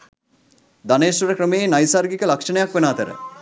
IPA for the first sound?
d̪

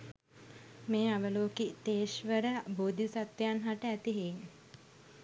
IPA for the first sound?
m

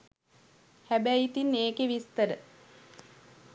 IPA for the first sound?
h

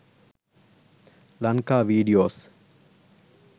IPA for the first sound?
l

